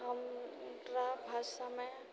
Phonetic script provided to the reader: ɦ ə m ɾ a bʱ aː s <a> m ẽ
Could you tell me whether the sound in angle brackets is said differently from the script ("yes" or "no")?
no